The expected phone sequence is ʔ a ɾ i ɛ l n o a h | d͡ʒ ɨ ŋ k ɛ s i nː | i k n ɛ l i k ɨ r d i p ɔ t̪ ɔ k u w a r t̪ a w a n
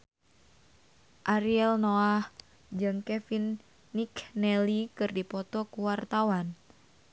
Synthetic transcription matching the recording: ʔ a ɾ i ɛ l n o a h | d͡ʒ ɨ ŋ k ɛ f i nː | i k n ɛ l i k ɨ r d i p ɔ t̪ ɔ k u w a r t̪ a w a n